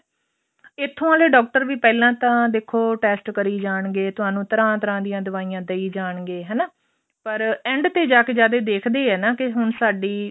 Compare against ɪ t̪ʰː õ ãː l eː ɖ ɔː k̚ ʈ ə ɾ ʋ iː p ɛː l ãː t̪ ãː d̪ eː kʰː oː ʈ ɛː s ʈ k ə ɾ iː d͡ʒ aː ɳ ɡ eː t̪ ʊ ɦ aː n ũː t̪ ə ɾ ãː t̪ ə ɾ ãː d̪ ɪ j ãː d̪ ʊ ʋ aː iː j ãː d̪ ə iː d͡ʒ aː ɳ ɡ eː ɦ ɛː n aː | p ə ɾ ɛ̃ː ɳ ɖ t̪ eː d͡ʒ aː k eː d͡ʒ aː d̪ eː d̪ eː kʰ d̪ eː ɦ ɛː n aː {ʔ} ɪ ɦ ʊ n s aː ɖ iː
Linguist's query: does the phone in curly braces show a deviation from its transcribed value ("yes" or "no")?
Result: yes